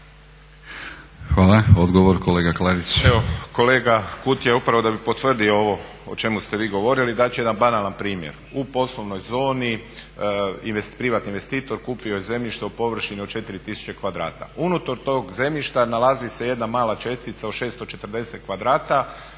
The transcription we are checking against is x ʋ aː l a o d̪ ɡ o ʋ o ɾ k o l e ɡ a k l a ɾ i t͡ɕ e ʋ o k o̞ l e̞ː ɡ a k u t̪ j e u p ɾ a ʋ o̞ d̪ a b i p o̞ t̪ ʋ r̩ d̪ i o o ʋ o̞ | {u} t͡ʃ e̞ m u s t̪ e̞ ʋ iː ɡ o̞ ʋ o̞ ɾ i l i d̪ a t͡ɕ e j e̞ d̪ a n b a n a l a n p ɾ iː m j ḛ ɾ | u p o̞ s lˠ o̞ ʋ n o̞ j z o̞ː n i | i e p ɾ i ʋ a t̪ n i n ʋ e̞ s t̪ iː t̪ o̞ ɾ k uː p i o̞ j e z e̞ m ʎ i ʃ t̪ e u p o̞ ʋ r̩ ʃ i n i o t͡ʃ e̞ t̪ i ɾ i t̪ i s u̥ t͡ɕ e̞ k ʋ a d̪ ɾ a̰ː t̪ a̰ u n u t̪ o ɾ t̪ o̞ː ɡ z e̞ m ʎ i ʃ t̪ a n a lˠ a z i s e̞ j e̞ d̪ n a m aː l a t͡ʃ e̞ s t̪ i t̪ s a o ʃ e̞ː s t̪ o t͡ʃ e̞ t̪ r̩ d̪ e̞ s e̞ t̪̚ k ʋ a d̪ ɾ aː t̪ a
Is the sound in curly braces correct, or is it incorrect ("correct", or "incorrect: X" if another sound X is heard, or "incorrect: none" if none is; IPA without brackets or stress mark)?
incorrect: o